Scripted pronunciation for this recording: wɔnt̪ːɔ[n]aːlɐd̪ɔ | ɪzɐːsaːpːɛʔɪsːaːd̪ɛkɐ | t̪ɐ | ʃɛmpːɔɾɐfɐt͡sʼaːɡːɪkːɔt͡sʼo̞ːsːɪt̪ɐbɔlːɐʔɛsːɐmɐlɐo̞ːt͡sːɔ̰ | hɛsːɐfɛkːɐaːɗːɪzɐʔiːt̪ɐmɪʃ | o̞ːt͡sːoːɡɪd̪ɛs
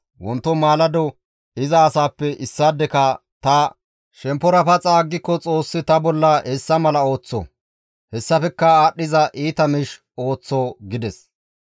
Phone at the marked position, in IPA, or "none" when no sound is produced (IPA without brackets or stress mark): m